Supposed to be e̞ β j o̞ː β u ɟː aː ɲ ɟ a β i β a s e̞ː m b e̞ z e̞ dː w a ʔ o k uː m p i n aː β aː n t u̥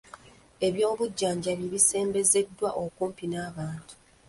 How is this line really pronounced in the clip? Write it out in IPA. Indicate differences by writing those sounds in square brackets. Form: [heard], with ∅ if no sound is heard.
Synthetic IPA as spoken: e̞ β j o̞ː β u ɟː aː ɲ ɟ a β i β [i] s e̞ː m b e̞ z e̞ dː w a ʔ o k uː m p i n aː β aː n t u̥